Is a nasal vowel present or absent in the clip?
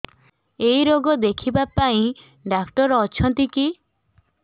present